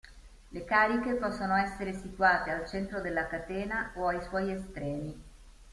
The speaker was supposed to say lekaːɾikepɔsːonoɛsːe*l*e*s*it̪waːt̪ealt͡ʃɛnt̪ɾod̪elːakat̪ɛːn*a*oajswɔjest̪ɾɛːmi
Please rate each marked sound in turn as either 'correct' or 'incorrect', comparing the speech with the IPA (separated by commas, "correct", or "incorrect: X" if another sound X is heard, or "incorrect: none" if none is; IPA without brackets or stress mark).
incorrect: ɾ, correct, correct